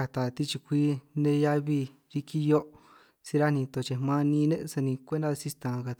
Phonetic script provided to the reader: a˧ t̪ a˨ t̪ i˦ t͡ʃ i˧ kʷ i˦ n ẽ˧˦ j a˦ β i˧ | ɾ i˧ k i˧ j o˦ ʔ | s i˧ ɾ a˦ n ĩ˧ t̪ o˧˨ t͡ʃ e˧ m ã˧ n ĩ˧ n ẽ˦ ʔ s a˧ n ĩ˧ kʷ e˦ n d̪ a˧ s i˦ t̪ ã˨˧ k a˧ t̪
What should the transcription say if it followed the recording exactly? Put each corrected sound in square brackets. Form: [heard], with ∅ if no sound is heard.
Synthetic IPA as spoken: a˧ t̪ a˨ t̪ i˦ t͡ʃ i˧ kʷ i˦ n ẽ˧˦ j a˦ β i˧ | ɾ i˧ k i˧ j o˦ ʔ | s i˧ ɾ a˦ n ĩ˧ t̪ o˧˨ t͡ʃ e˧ m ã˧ n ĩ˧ n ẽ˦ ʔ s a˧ n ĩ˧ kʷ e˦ n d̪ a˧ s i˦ t̪ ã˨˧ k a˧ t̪